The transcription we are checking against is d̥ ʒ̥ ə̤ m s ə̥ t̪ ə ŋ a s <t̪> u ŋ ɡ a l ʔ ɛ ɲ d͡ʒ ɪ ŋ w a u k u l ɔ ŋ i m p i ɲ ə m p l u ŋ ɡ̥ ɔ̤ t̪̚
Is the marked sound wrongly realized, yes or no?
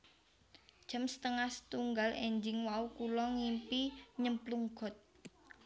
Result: no